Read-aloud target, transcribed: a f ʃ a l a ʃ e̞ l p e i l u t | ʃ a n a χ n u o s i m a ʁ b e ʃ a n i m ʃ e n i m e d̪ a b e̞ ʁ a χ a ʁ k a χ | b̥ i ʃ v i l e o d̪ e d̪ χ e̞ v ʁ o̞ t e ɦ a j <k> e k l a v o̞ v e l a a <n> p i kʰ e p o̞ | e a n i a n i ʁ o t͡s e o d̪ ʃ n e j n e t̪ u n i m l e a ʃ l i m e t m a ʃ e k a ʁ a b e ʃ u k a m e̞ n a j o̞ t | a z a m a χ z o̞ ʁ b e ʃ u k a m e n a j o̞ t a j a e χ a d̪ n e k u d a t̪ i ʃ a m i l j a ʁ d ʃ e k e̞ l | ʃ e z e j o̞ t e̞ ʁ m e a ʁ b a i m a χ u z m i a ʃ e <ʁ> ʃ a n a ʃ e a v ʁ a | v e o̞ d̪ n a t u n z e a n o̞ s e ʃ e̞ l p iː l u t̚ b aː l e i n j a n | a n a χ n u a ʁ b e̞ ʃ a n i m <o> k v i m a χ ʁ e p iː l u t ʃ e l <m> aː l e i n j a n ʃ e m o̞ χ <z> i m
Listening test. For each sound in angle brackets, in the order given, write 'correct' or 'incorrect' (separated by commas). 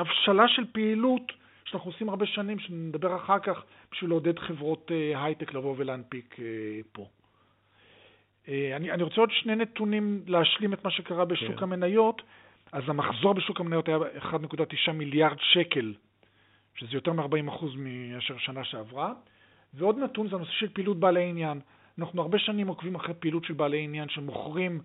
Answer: incorrect, correct, correct, correct, incorrect, incorrect